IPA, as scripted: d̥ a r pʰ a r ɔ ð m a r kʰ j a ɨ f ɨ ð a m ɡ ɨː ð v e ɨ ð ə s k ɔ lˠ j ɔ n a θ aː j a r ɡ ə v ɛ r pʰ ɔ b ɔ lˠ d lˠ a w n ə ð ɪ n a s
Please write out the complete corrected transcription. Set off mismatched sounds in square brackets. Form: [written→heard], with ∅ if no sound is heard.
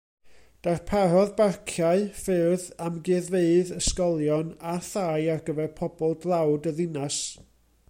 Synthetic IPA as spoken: d̥ a r pʰ a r ɔ ð [m→b] a r kʰ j a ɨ f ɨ ð a m ɡ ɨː ð v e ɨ ð ə s k ɔ lˠ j ɔ n a θ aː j a r ɡ ə v ɛ r pʰ ɔ b ɔ lˠ d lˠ a w [n→d] ə ð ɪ n a s